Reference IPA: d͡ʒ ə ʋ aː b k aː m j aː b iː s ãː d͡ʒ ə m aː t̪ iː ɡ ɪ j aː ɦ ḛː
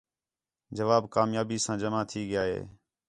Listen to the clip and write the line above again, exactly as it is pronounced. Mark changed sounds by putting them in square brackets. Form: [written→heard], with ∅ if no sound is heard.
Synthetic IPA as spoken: d͡ʒ ə ʋ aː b k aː m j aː b iː s ãː d͡ʒ ə m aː [t̪→t̪ʰ] iː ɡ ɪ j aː ɦ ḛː